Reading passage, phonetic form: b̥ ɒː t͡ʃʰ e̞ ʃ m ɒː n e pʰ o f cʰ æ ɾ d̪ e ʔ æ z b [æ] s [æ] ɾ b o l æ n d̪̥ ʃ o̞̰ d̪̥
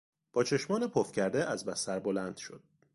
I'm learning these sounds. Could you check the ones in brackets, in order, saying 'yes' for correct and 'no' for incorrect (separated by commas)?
yes, yes